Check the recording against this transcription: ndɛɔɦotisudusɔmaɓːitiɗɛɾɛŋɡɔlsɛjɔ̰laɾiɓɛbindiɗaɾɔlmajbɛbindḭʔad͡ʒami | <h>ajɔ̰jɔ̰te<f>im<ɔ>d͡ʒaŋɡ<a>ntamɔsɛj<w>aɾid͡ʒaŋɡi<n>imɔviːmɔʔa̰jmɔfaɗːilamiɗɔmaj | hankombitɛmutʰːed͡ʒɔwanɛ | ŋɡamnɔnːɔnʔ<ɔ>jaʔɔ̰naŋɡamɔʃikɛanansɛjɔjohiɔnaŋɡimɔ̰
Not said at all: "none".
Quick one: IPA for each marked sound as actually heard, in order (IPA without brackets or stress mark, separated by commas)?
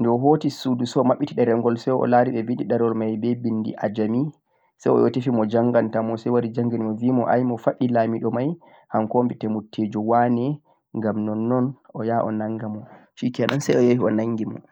s, f, ɔ, a, w, n, ɔ